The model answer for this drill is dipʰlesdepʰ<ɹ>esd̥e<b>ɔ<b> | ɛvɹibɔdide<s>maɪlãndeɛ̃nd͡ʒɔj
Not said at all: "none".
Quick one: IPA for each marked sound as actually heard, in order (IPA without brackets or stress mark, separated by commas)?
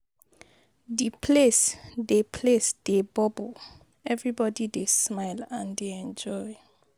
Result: l, b, b, s